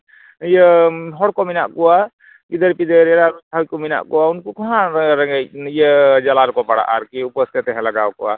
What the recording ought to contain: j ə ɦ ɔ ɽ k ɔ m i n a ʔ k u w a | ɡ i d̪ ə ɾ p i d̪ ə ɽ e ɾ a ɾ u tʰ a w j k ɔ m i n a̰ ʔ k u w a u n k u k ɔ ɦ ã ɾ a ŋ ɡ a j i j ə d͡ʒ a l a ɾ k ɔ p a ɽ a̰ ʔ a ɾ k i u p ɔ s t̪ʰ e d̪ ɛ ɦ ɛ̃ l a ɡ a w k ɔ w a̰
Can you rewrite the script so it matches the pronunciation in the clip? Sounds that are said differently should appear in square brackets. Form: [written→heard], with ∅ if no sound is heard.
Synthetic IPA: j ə ɦ ɔ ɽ k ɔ m i n a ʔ k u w a | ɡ i d̪ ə ɾ p i d̪ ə [ɽ→ɾ] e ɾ a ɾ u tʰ a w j k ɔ m i n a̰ ʔ k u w a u n k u k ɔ ɦ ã ɾ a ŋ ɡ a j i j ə d͡ʒ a l a ɾ k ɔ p a ɽ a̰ ʔ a ɾ k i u p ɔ s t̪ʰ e [d̪→t̪] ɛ ɦ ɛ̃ l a ɡ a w k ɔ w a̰